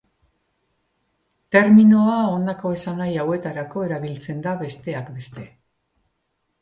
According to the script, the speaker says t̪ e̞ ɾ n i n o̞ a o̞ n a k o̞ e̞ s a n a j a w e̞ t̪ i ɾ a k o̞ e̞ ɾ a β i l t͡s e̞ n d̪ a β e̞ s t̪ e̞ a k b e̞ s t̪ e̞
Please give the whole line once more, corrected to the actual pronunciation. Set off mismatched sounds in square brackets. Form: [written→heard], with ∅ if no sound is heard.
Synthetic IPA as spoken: t̪ e̞ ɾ [n→m] i n o̞ a o̞ n a k o̞ e̞ s a n a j a w e̞ t̪ [i→a] ɾ a k o̞ e̞ ɾ a β i l t͡s e̞ n d̪ a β e̞ s t̪ e̞ a k b e̞ s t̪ e̞

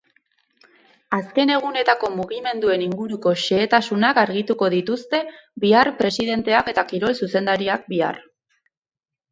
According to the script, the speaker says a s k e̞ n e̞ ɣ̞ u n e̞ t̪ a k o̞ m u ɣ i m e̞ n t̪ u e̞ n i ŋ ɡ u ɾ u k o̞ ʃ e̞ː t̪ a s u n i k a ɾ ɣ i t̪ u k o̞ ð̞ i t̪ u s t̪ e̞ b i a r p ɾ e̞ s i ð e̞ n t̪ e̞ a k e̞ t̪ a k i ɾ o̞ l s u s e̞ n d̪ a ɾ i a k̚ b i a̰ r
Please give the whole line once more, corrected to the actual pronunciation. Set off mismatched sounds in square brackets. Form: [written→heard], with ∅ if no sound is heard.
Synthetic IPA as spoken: a s k e̞ n e̞ ɣ̞ u n e̞ t̪ a k o̞ m u ɣ i m e̞ n [t̪→d̪] u e̞ n i ŋ ɡ u ɾ u k o̞ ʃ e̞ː t̪ a s u n [i→a] k a ɾ ɣ i t̪ u k o̞ ð̞ i t̪ u s t̪ e̞ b i a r p ɾ e̞ s i ð e̞ n t̪ e̞ a k e̞ t̪ a k i ɾ o̞ l s u s e̞ n d̪ a ɾ i a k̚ b i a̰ r

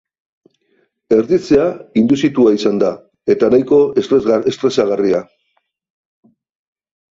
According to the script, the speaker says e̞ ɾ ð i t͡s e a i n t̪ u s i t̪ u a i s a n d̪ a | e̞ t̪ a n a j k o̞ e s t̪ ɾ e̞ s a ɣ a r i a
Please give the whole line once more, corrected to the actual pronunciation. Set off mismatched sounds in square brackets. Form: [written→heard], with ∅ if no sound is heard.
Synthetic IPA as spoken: e̞ ɾ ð i t͡s e a i n [t̪→d̪] u s i t̪ u a i s a n d̪ a | e̞ t̪ a n a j k o̞ e s t̪ ɾ e̞ s a ɣ a r i a

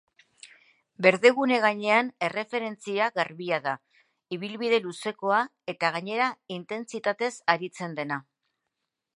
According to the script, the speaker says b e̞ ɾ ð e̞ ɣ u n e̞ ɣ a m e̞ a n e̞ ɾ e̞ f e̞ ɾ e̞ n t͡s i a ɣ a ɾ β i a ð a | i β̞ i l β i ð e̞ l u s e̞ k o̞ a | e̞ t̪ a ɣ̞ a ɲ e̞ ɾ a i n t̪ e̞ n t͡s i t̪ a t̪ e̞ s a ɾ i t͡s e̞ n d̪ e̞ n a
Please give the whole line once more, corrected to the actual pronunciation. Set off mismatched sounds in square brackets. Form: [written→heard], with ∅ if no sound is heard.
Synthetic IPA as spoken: b e̞ ɾ ð e̞ ɣ u n e̞ ɣ a [m→ɲ] e̞ a n e̞ [ɾ→r] e̞ f e̞ ɾ e̞ n t͡s i a ɣ a ɾ β i a ð a | i β̞ i l β i ð e̞ l u s e̞ k o̞ a | e̞ t̪ a ɣ̞ a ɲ e̞ ɾ a i n t̪ e̞ n t͡s i t̪ a t̪ e̞ s a ɾ i t͡s e̞ n d̪ e̞ n a

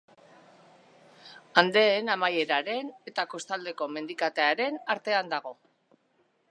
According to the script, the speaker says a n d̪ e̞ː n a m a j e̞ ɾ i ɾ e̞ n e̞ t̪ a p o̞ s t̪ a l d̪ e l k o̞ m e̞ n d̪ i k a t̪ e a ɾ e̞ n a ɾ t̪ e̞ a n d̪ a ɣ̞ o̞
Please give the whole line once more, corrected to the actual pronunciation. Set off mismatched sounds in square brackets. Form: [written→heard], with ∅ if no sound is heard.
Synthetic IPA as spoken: a n d̪ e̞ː n a m a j e̞ ɾ [i→a] ɾ e̞ n e̞ t̪ a [p→k] o̞ s t̪ a l d̪ e [l→∅] k o̞ m e̞ n d̪ i k a t̪ e a ɾ e̞ n a ɾ t̪ e̞ a n d̪ a ɣ̞ o̞

